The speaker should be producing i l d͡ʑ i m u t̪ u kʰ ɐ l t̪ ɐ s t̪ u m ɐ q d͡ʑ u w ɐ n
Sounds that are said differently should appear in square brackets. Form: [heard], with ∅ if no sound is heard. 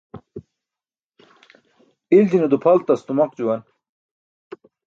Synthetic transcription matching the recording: i l d͡ʑ i [n] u [d̪] u [pʰ] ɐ l t̪ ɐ s t̪ u m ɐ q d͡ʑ u w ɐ n